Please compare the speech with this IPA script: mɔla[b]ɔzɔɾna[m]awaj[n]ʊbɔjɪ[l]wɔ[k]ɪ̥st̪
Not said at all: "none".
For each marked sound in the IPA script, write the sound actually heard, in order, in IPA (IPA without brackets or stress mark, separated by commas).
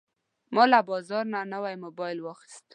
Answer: b, n, m, l, x